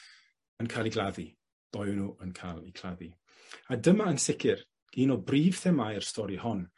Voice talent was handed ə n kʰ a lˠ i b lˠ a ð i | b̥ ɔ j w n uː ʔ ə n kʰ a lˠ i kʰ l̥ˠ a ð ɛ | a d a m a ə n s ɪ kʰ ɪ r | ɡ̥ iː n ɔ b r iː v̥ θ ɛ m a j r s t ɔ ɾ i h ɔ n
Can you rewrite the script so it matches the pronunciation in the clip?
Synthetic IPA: ə n kʰ a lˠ i ɡ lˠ a ð i | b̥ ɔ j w n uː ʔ ə n kʰ a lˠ i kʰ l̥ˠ a ð i | a d ə m a ə n s ɪ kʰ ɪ r | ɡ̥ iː n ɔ b r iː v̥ θ ɛ m a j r s t ɔ ɾ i h ɔ n